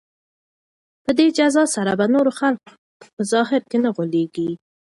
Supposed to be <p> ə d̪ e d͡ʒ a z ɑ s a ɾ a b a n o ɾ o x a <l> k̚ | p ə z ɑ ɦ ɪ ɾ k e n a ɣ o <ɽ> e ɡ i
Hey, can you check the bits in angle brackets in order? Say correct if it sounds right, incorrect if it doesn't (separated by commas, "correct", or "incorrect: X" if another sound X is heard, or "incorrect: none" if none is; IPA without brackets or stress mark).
correct, correct, incorrect: l